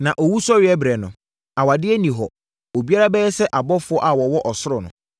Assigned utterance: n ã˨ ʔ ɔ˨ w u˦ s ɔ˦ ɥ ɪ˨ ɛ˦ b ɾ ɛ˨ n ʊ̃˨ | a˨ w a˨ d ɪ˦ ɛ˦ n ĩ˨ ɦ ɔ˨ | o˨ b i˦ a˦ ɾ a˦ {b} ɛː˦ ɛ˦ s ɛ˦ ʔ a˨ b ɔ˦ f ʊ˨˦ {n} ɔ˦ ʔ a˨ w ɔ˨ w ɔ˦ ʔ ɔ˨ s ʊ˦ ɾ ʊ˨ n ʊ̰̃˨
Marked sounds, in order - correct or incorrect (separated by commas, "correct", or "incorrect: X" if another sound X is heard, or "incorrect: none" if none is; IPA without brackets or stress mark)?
correct, incorrect: none